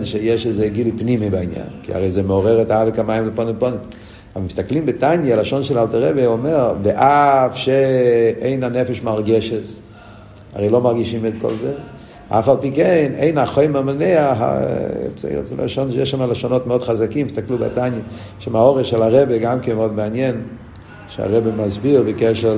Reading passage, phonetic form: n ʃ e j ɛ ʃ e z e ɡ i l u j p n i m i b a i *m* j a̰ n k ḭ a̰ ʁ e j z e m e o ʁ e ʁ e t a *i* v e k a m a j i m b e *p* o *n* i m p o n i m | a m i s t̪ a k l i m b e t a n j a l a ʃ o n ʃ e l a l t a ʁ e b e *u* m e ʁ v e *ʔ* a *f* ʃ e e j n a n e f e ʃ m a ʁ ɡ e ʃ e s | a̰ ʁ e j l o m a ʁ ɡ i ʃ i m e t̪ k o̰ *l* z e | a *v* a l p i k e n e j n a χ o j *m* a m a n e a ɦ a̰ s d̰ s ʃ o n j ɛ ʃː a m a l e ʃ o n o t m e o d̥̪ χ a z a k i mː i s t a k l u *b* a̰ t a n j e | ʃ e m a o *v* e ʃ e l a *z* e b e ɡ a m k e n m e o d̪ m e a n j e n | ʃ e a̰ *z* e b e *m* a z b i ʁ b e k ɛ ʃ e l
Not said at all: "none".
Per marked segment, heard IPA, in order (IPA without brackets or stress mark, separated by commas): n, a, p, n, o, ʔ, f, l, f, m, b, ʁ, ʁ, ʁ, m